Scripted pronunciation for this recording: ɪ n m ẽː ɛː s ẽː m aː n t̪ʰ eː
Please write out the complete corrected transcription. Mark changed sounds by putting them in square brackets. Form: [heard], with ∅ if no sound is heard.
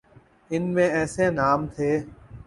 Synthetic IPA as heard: ɪ n m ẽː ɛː s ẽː [n] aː [m] t̪ʰ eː